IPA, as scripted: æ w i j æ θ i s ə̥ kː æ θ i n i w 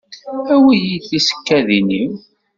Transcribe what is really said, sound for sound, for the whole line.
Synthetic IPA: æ w i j i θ i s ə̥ kː æ ð i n i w